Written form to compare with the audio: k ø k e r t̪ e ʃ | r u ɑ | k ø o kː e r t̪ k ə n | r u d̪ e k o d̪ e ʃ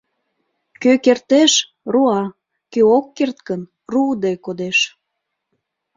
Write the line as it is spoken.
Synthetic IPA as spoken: k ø k e r t̪ e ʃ | r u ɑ | k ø o kː e r t̪ k ə n | r u d̪ e k o d̪ e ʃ